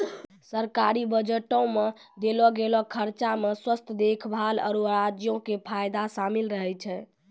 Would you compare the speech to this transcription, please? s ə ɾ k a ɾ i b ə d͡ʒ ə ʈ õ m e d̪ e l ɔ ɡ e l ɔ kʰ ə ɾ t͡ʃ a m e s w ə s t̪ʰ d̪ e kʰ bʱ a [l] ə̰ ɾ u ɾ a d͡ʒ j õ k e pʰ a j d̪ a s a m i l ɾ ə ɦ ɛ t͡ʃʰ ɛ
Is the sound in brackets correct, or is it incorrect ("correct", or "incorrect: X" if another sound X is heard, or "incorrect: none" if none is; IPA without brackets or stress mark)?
correct